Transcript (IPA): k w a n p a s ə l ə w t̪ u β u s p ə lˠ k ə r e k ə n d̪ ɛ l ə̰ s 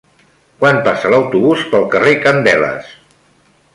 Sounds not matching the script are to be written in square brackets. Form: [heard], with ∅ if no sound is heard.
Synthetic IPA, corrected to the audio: k w a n p a s ə l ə w t̪ u β u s p ə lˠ k ə r e k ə n d̪ ɛ l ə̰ s